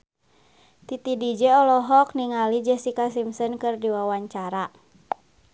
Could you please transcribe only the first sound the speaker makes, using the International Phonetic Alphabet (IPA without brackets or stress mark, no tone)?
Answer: t̪